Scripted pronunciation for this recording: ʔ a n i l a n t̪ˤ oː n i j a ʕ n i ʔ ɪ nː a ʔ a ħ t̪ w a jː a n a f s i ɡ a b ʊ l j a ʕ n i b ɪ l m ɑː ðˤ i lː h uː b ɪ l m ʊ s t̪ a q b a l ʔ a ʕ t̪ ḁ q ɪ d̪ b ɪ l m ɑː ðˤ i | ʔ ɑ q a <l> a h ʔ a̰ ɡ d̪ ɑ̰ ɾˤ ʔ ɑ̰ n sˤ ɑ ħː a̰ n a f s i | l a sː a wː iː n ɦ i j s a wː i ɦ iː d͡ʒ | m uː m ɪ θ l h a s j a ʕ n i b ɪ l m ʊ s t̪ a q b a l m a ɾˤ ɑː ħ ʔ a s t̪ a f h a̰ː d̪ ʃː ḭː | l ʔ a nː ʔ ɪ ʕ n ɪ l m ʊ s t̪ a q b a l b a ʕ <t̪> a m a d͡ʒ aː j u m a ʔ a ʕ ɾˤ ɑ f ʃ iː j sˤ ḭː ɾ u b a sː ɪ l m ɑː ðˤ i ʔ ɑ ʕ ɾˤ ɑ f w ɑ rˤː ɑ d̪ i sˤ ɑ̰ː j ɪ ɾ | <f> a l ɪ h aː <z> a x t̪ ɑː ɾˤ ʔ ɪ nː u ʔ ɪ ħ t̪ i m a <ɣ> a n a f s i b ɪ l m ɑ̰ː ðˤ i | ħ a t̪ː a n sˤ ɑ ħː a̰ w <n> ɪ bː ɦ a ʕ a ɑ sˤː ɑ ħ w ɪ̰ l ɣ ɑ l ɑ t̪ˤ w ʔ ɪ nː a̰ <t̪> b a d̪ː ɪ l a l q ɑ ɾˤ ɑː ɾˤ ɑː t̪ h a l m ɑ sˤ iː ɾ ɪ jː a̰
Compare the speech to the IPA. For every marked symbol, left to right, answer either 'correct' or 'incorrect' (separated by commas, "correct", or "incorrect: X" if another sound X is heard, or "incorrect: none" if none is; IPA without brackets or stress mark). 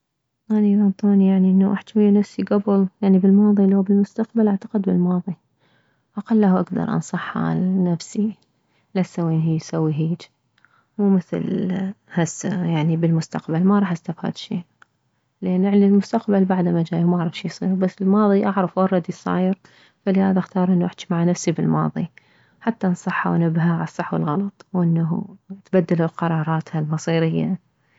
incorrect: lː, incorrect: d̪, correct, incorrect: ð, incorrect: ʕ, correct, correct